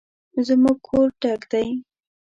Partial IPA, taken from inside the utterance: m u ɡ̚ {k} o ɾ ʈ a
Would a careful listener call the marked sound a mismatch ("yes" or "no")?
yes